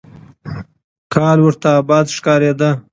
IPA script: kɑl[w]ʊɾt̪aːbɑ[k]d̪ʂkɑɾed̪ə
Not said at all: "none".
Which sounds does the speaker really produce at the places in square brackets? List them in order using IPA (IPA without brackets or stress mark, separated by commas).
w, none